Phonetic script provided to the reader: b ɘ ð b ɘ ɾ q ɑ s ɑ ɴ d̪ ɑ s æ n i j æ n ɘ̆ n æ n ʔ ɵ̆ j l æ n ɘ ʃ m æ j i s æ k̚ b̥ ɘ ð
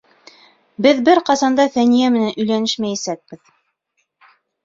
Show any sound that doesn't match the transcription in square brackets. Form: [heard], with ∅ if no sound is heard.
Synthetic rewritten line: b ɘ ð b ɘ ɾ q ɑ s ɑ [n] d̪ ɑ [θ] æ n i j æ [m] ɘ̆ n æ n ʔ ɵ̆ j l æ n ɘ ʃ m æ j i s æ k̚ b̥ ɘ ð